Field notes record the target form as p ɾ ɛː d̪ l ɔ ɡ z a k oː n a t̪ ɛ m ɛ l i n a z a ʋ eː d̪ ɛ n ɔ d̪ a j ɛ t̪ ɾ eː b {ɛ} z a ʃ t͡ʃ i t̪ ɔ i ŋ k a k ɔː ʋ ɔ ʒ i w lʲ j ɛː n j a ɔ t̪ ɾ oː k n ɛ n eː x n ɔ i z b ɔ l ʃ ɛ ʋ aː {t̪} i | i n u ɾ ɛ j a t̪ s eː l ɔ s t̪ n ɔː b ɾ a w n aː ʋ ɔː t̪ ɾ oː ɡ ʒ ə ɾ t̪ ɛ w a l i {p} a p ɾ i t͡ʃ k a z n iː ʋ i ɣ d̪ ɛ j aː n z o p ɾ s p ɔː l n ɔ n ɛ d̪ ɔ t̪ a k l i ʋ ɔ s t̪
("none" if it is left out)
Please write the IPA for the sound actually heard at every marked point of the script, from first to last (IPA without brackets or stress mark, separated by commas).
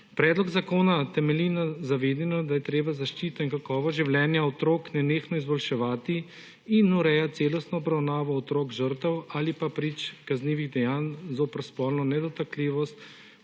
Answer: a, t̪, p